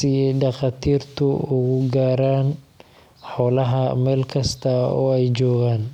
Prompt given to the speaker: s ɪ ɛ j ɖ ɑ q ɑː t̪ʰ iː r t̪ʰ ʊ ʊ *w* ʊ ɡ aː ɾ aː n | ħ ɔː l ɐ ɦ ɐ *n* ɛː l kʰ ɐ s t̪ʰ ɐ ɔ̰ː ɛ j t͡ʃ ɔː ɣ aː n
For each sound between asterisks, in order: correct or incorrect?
incorrect, incorrect

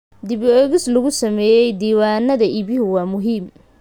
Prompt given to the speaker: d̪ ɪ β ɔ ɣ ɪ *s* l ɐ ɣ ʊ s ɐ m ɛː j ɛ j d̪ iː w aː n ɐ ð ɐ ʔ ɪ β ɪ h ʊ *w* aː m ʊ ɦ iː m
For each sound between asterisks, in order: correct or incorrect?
correct, correct

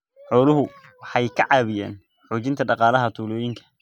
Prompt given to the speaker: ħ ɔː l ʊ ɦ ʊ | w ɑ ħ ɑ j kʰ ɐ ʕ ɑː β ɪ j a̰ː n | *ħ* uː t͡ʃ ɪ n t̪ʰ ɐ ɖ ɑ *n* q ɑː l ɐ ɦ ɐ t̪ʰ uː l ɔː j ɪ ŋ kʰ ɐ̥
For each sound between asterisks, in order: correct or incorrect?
correct, incorrect

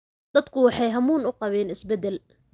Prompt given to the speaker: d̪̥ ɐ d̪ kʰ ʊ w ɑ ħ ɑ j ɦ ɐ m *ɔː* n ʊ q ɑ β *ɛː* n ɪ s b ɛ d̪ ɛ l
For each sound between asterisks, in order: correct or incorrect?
incorrect, correct

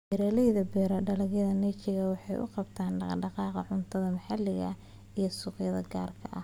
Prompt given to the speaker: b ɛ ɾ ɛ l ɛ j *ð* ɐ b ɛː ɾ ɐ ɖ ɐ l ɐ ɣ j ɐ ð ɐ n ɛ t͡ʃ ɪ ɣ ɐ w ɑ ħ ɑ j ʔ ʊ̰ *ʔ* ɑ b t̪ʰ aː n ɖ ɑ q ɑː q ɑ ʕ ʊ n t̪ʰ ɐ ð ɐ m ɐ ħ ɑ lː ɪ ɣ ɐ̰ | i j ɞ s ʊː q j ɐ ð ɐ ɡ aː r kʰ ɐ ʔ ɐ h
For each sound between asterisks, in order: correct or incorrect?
correct, incorrect

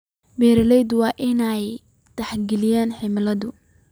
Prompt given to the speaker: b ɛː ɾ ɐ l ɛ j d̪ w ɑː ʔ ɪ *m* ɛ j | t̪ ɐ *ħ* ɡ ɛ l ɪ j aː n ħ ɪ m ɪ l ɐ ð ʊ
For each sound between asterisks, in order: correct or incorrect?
incorrect, correct

